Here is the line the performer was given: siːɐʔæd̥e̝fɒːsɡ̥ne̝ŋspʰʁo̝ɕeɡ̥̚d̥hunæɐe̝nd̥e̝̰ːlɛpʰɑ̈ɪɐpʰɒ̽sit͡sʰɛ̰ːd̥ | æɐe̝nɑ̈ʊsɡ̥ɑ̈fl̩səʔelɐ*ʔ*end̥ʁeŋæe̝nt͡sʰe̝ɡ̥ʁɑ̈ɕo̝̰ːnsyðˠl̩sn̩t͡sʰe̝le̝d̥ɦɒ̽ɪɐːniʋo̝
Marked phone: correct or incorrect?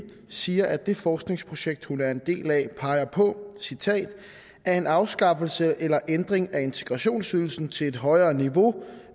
correct